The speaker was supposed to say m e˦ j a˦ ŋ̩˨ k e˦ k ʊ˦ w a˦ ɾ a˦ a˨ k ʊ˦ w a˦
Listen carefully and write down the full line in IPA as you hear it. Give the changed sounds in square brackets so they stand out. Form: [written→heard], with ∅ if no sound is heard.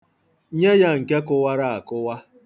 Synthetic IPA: [m→ɲ] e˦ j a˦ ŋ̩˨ k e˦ k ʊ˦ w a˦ ɾ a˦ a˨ k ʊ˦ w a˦